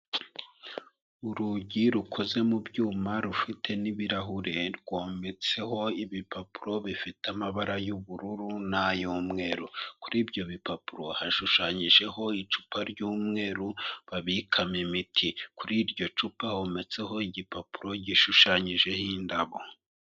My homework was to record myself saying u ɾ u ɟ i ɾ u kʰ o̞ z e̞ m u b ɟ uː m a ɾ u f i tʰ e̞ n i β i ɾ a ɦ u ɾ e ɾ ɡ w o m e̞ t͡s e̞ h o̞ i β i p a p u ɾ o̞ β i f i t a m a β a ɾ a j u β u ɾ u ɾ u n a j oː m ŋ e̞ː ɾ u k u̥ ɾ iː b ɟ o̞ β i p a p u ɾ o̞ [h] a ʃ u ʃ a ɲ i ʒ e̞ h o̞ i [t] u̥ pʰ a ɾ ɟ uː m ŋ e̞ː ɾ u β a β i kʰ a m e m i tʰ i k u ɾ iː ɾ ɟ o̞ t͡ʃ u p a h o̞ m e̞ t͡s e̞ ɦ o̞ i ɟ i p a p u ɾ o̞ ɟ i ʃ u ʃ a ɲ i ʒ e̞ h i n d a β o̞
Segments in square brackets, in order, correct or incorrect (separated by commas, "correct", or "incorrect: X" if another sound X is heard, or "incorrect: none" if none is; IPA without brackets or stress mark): correct, incorrect: t͡ʃ